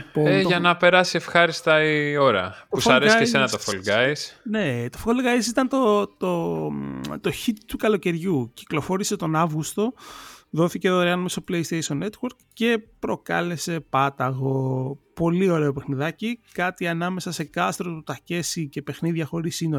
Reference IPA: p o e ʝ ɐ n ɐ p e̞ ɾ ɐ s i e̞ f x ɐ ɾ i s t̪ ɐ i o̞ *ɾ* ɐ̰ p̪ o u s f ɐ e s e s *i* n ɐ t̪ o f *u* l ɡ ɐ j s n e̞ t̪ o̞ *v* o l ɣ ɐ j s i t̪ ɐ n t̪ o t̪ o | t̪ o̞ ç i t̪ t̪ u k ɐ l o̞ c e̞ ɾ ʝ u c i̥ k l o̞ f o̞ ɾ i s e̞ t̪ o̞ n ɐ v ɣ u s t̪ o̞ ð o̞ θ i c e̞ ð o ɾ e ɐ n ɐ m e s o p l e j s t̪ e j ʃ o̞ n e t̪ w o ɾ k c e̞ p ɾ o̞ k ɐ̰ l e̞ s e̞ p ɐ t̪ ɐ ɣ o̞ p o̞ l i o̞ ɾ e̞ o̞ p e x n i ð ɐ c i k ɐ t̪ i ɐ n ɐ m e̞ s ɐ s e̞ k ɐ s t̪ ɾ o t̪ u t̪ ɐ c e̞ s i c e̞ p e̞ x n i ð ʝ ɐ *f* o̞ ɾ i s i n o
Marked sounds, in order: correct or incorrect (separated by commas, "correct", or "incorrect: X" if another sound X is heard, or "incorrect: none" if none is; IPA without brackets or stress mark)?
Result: correct, incorrect: e, incorrect: o, incorrect: f, incorrect: x